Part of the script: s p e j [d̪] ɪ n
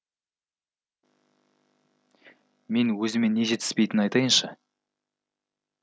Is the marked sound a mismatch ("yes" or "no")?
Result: yes